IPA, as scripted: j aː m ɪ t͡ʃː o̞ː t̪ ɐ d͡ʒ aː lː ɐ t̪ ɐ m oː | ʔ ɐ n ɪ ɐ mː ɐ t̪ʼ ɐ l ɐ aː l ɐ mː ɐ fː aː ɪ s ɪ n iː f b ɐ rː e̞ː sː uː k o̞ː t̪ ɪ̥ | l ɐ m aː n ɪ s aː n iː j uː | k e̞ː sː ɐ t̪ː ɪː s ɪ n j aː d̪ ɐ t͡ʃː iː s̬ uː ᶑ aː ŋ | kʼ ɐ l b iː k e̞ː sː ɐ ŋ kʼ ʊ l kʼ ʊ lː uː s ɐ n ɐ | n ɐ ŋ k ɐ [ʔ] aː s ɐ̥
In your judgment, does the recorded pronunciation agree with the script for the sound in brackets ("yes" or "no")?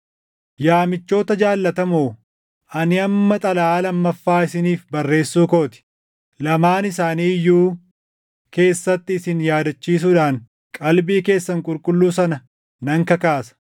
no